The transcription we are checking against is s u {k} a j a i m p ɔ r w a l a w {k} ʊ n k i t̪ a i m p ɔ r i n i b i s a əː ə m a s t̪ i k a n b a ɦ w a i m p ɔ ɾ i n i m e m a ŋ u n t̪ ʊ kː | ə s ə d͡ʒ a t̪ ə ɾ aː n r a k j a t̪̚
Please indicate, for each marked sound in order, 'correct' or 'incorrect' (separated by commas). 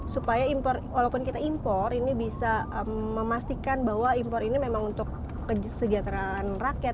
incorrect, incorrect